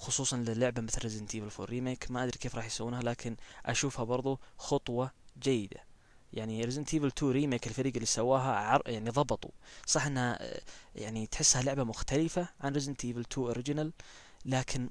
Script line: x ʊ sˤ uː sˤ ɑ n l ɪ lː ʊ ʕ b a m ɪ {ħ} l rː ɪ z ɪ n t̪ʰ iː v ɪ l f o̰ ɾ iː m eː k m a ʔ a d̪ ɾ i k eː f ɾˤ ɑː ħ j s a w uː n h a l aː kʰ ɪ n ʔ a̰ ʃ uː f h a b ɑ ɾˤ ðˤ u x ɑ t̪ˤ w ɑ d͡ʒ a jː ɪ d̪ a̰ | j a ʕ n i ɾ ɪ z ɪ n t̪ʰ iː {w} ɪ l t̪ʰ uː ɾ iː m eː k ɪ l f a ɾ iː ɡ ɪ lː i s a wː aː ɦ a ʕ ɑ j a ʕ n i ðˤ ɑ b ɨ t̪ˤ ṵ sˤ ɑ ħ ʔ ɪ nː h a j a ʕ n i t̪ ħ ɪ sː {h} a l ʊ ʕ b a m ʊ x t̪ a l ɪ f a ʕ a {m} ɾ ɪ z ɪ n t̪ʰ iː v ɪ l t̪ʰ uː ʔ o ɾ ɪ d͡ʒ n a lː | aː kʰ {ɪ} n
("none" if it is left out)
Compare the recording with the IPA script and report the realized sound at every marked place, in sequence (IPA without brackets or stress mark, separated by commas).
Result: θ, v, h, n, ɪ